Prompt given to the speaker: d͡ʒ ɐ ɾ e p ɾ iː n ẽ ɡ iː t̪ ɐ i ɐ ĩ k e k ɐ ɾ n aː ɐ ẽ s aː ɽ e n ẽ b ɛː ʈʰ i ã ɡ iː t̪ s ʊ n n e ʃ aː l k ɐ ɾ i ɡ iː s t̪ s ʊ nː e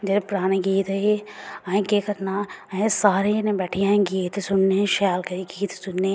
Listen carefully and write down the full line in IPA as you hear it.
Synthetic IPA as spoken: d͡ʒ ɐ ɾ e p ɾ aː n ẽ ɡ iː t̪ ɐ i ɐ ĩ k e k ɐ ɾ n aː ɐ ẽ s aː ɾ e n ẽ b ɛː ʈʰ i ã ɡ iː t̪ s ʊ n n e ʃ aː l k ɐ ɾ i ɡ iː t̪ s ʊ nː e